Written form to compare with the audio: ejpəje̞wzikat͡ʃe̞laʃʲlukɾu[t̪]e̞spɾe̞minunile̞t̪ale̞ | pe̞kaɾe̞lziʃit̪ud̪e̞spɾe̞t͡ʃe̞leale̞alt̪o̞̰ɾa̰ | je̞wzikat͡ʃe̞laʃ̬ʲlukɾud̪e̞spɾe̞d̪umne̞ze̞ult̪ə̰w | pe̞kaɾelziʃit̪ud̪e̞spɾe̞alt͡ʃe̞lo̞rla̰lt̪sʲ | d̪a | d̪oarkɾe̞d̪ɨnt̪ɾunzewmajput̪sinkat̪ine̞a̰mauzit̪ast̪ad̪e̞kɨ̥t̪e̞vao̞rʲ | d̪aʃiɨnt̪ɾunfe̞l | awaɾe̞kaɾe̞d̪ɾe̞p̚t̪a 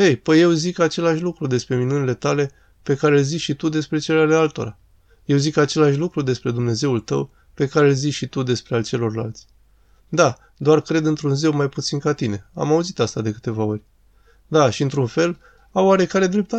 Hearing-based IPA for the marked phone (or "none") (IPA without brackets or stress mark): d̪